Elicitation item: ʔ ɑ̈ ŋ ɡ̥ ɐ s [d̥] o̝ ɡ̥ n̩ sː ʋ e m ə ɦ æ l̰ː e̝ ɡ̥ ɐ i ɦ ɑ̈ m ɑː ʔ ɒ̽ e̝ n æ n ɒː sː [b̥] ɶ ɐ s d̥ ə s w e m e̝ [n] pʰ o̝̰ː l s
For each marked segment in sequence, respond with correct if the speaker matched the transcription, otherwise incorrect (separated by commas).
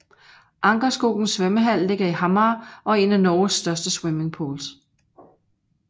incorrect, incorrect, incorrect